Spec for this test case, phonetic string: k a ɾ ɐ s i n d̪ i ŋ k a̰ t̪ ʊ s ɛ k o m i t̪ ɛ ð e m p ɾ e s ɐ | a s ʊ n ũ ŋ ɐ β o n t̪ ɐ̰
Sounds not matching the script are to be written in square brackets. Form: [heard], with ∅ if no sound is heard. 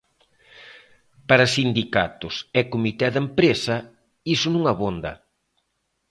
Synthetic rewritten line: [p] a ɾ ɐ s i n d̪ i [∅] k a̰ t̪ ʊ s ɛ k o m i t̪ ɛ ð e m p ɾ e s ɐ | [i] s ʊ n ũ ŋ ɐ β o n [d̪] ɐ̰